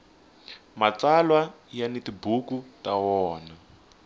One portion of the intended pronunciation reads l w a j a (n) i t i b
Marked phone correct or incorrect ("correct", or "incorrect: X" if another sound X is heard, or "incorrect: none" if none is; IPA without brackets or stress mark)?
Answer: correct